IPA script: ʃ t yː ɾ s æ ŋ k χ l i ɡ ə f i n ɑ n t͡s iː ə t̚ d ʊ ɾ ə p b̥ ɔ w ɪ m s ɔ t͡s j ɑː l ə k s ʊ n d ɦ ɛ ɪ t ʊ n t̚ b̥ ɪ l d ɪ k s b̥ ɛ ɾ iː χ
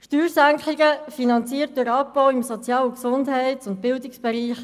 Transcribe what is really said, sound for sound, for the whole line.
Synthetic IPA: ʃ t yː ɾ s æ ŋ k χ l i ɡ ə f i n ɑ n t͡s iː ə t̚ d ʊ ɾ ɑ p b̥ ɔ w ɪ m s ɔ t͡s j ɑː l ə k s ʊ n d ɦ ɛ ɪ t ʊ n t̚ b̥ ɪ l d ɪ k s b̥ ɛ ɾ iː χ

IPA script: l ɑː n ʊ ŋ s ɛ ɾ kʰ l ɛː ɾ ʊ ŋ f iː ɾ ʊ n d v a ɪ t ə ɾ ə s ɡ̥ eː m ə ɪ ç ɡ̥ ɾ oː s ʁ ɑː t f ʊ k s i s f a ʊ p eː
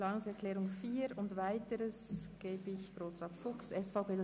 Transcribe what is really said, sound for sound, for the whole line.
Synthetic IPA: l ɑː n ʊ ŋ s ɛ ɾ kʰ l ɛː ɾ ʊ ŋ f iː ɾ ʊ n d v a ɪ t ə ɾ ə s ɡ̥ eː b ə ɪ ç ɡ̥ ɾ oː s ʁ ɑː t f ʊ k s ɛ s f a ʊ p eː

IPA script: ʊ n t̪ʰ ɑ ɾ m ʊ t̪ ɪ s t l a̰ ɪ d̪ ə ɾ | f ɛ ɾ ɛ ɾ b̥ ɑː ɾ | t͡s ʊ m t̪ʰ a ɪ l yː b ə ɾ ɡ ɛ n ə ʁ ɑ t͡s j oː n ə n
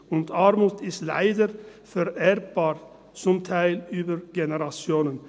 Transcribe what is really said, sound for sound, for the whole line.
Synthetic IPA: ʊ n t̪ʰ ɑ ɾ m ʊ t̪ ɪ s t l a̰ ɪ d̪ ə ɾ | f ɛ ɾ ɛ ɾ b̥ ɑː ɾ | t͡s ʊ m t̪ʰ a ɪ l yː b ə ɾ ɡ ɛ n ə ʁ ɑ t͡s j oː n ə n

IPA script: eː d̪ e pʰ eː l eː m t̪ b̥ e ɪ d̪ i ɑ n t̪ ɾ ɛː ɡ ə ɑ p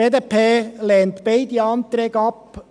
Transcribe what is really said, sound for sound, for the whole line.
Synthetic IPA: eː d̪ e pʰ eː l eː n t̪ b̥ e ɪ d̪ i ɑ n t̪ ɾ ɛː ɡ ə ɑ p

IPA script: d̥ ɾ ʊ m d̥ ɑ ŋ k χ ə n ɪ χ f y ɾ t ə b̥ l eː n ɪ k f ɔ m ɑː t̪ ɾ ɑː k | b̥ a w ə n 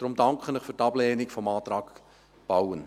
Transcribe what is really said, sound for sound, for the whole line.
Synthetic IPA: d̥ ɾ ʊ m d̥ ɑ ŋ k χ ə n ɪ χ f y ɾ t ɑ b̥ l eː n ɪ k f ɔ m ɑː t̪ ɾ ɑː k | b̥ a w ə n

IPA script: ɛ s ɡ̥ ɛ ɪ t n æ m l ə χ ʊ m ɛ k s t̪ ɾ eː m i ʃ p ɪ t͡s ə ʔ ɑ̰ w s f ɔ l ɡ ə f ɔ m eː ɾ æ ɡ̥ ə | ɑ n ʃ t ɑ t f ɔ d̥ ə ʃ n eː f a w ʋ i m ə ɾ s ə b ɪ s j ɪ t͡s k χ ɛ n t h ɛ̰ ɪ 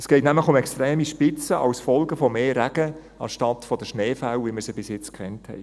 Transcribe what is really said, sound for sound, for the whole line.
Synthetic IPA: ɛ s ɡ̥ ɛ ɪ t n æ m l ə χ ʊ m ɛ k s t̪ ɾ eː m i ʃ p ɪ t͡s ə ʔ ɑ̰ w s f ɔ l ɡ ə f ɔ m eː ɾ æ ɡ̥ ə | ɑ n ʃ t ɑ t f ɔ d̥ ə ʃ n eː f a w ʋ i m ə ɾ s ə b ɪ s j ɪ t͡s k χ ɛ n t h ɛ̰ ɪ

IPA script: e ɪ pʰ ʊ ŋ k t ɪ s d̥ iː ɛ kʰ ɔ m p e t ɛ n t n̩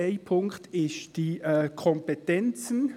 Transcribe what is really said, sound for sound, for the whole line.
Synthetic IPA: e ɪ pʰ ʊ ŋ k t ɪ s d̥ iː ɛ kʰ ɔ m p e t ɛ n t͡s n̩

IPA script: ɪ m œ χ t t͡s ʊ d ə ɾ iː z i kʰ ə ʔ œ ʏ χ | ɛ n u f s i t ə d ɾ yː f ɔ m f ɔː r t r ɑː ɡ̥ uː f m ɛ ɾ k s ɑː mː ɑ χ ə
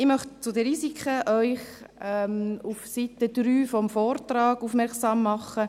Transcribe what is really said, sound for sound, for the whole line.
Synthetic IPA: ɪ m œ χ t t͡s ʊ d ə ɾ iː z i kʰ ə ʔ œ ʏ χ | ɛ m u f s i t ə d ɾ yː f ɔ m f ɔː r t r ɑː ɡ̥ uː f m ɛ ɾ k s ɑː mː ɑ χ ə

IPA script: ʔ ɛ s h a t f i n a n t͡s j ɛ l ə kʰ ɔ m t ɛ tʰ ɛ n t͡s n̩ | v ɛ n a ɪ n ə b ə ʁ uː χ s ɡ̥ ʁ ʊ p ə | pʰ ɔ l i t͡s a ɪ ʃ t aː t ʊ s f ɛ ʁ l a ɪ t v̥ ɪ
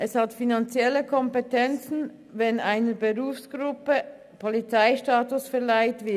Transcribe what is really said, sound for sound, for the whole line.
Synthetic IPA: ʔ ɛ s h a t f i n a n t͡s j ɛ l ə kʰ ɔ m p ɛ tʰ ɛ n t͡s n̩ | v ɛ n a ɪ n ə b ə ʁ uː f s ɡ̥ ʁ ʊ p ə | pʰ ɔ l i t͡s a ɪ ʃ t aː t ʊ s f ɛ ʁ l a ɪ t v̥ ɪ

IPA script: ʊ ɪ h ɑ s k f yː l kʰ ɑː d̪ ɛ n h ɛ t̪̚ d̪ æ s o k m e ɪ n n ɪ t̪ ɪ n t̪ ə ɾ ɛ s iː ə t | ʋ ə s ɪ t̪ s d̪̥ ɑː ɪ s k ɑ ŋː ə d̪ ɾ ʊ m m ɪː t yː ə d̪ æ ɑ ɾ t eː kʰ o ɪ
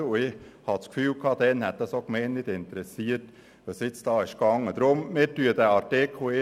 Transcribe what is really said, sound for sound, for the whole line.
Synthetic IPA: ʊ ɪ h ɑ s k f yː l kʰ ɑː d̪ ɛ n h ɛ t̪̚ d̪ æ s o k m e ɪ n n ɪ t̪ ɪ n t̪ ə ɾ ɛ s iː ə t | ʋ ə s ɪ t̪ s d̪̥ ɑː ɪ ʃ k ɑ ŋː ə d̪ ɾ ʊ m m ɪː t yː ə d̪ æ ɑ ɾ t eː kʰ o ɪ

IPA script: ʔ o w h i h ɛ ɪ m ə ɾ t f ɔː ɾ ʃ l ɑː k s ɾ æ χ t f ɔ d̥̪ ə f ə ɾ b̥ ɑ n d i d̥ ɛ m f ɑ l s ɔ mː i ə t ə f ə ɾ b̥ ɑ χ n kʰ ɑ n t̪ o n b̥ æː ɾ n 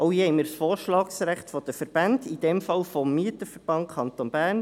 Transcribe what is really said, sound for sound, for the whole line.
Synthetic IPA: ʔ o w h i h ɛ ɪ m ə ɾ s f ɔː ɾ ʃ l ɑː k s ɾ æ χ t f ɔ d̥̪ ə f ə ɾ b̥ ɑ n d i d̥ ɛ m f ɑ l f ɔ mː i ə t ə f ə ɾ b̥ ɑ n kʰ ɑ n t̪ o n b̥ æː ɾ n

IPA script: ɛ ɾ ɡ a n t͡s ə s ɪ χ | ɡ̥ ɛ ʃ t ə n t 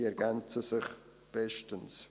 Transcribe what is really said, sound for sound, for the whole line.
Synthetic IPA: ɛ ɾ ɡ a n t͡s ə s ɪ χ | b̥ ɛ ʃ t ə n s

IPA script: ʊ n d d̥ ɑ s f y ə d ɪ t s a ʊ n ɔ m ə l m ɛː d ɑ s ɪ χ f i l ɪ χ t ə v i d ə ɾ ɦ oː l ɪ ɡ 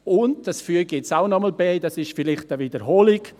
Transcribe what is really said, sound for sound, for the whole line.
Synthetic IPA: ʊ n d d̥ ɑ s f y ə ɡ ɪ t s a ʊ n ɔ m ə l b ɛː d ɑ s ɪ ʃ f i l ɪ χ t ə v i d ə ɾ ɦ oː l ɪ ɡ

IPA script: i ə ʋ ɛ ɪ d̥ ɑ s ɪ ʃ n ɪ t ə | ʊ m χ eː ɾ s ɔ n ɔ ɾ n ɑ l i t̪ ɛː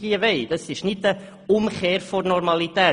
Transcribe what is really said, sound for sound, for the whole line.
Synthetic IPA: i ə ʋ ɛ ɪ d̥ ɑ s ɪ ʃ n ɪ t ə | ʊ m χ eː ɾ f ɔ n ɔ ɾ m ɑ l i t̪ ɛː

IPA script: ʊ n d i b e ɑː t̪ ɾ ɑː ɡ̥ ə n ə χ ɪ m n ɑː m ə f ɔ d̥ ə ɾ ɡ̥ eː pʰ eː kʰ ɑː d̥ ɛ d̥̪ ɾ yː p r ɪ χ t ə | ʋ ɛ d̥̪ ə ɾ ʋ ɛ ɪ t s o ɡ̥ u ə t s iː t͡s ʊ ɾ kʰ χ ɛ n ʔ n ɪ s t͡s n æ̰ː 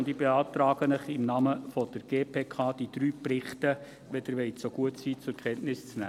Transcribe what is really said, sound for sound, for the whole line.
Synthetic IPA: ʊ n d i b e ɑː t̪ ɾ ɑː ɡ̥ ə n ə χ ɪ m n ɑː m ə f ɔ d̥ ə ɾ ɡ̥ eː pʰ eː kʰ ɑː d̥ i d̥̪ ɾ yː p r ɪ χ t ə | ʋ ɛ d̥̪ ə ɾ ʋ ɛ ɪ t s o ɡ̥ u ə t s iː t͡s ʊ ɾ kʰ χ ɛ n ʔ n ɪ s t͡s n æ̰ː

